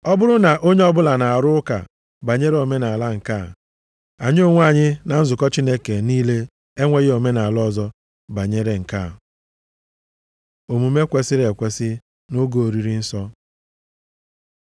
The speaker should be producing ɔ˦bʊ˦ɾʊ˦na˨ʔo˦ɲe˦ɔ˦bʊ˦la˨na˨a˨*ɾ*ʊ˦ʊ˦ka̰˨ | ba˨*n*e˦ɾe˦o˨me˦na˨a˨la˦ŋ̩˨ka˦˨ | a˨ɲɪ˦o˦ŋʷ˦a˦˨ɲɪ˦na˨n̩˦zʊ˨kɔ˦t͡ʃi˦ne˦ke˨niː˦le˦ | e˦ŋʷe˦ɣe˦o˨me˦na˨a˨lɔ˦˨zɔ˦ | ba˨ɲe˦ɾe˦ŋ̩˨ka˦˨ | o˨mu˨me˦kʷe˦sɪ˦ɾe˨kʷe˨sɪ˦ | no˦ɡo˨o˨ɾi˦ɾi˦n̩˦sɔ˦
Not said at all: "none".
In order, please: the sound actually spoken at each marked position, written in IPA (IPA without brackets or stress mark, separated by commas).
ɾ, ɲ